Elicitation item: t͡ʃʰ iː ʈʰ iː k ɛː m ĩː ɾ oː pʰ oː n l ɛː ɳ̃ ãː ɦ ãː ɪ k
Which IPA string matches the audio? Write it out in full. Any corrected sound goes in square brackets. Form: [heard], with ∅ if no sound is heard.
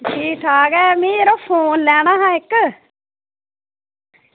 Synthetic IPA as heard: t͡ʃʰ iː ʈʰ [aː] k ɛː m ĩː ɾ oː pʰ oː n l ɛː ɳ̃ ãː ɦ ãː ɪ k